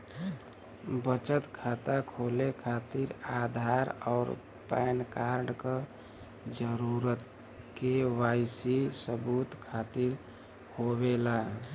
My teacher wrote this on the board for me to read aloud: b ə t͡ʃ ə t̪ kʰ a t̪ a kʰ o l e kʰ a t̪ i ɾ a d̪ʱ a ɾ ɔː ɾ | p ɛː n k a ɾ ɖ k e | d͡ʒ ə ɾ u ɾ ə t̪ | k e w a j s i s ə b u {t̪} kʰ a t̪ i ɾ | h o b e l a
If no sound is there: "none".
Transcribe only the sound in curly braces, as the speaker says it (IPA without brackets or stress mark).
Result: t̪